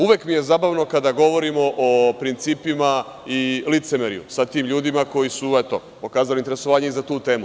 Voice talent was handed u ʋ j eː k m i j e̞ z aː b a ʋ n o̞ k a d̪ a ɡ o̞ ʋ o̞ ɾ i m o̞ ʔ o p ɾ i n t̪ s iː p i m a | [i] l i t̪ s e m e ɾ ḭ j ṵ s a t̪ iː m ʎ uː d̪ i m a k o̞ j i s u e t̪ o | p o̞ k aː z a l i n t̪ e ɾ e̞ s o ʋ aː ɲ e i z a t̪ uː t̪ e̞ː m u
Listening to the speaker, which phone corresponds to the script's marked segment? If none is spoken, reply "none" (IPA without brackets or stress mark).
i